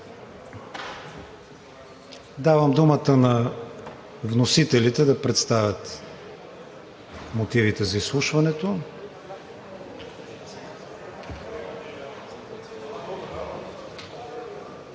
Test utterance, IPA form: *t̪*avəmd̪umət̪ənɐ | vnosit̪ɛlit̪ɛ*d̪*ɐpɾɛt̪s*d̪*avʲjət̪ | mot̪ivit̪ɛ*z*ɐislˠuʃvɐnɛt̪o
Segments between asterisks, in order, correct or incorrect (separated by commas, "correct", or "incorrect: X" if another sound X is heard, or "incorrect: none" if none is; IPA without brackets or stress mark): incorrect: d̪, correct, incorrect: t̪, correct